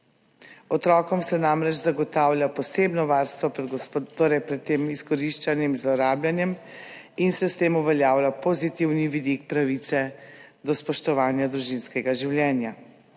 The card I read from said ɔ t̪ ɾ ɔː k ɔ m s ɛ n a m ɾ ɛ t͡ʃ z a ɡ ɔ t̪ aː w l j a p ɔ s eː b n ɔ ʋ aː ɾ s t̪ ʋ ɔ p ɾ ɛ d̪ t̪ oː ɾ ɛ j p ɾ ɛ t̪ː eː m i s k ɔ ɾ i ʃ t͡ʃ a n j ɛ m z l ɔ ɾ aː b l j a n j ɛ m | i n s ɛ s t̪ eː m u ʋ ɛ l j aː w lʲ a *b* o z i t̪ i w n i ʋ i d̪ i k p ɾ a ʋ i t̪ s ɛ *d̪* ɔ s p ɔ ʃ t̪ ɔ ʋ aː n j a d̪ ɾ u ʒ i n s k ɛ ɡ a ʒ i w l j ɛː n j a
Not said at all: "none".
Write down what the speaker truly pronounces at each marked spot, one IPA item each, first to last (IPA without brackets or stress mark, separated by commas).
p, d̪